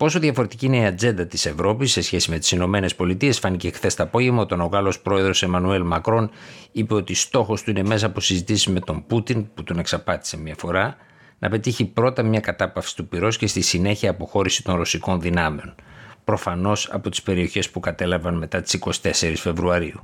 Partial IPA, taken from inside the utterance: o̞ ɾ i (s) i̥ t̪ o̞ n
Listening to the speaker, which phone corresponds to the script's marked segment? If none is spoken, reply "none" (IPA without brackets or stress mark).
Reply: s